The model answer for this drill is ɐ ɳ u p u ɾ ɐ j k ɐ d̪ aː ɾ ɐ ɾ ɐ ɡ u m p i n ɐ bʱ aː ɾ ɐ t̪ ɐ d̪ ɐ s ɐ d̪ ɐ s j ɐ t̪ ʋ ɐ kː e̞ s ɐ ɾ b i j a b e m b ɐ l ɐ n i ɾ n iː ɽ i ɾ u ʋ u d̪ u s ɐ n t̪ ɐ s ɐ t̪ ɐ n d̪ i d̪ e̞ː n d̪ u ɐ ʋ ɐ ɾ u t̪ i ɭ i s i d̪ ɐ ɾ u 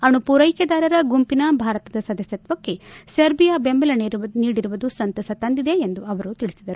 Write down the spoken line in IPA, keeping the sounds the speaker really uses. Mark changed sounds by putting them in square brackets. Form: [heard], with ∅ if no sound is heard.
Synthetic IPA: ɐ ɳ u p u ɾ ɐ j k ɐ d̪ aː ɾ ɐ ɾ ɐ ɡ u m p i n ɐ bʱ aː ɾ ɐ t̪ ɐ d̪ ɐ s ɐ d̪ ɐ s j ɐ t̪ ʋ ɐ kː e̞ s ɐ ɾ b i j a b e m b ɐ l ɐ n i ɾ n iː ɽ i ɾ u ʋ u d̪ u s ɐ n t̪ ɐ s ɐ t̪ ɐ n d̪ i d̪ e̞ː n d̪ u ɐ ʋ ɐ ɾ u t̪ i ɭ i s i d̪ ɐ ɾ u